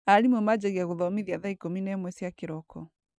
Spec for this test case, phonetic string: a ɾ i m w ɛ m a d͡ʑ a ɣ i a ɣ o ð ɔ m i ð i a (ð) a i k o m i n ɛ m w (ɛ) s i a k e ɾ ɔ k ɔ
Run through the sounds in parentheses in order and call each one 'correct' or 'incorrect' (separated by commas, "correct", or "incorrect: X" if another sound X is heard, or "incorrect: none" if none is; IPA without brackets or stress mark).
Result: correct, correct